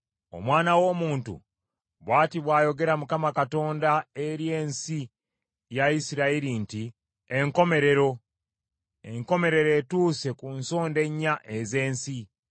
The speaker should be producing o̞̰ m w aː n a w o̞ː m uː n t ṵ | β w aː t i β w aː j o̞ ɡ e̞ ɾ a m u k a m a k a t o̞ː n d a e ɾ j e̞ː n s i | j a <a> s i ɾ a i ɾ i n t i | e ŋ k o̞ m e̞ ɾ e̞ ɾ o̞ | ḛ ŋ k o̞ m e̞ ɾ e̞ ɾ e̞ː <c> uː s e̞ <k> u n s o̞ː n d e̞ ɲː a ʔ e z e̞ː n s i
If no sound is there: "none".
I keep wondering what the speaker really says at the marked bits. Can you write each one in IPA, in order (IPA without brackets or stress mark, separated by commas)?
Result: i, t, k